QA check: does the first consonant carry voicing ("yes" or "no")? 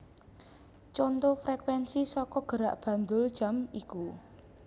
no